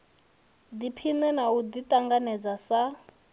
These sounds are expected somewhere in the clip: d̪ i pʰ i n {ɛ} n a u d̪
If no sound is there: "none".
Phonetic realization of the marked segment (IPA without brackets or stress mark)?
ɛ